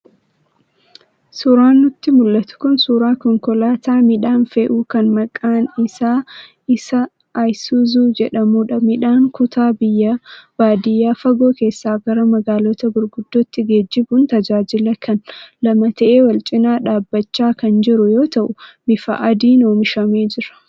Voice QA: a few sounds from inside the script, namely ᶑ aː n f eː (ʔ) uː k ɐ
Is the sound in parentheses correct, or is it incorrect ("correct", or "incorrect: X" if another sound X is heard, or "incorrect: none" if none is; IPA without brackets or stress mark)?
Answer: correct